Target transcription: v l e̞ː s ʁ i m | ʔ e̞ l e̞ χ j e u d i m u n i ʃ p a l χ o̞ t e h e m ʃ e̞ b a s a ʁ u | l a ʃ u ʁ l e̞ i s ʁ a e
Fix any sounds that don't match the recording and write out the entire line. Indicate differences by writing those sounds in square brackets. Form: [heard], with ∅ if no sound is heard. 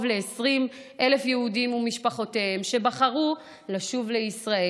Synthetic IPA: v l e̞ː s ʁ i m | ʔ e̞ l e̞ [f] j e u d i m u [m] i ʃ p a [∅] χ o̞ t e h e m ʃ e̞ b a [χ] a ʁ u | l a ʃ u [v] l e̞ i s ʁ a e